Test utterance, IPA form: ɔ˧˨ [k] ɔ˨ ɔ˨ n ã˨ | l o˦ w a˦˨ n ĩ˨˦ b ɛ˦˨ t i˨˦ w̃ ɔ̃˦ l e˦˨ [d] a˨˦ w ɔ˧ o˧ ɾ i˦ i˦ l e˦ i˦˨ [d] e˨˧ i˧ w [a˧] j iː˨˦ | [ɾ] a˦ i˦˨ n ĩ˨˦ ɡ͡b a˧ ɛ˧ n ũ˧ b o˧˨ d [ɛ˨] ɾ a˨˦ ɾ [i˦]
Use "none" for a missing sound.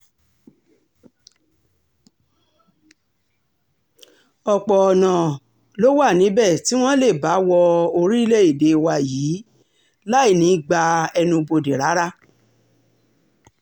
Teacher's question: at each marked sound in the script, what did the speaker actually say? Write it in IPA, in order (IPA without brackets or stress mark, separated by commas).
k͡p, b, d, a˧, l, e˨, a˦